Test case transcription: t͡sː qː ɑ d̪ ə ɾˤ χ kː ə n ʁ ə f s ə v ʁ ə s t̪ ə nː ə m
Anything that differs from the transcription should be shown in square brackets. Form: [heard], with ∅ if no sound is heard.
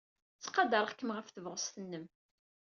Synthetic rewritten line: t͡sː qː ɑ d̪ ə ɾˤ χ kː ə [m] ʁ ə f [θ] ə v ʁ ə s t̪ ə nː ə m